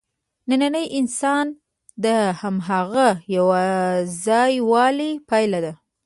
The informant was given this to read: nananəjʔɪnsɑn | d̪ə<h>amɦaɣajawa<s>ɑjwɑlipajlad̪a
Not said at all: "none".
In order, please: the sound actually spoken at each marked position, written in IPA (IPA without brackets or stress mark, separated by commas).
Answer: h, z